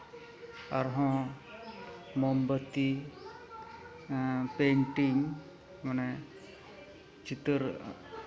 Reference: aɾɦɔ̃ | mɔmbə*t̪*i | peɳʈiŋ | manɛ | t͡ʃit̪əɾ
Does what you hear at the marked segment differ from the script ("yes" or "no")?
no